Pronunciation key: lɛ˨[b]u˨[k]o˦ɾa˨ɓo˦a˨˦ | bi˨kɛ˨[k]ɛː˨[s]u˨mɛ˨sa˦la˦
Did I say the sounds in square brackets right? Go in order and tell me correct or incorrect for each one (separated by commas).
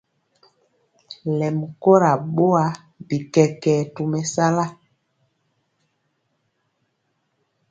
incorrect, correct, correct, incorrect